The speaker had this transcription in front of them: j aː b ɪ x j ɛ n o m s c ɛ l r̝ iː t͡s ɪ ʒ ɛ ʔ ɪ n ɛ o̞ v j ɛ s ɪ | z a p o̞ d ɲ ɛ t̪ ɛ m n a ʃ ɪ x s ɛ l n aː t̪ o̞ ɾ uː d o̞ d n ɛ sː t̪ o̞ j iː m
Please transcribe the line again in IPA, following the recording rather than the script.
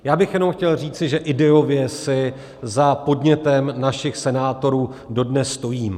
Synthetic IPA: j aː b ɪ x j ɛ n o m x c ɛ l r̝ iː t͡s ɪ ʒ ɛ ʔ ɪ d ɛ o̞ v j ɛ s ɪ | z a p o̞ d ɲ ɛ t̪ ɛ m n a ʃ ɪ x s ɛ n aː t̪ o̞ ɾ uː d o̞ d n ɛ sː t̪ o̞ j iː m